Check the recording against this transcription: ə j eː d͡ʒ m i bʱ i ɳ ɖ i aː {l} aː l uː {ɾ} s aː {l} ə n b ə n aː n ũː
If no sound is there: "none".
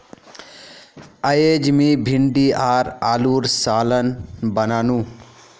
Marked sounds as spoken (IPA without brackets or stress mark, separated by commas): ɾ, ɾ, l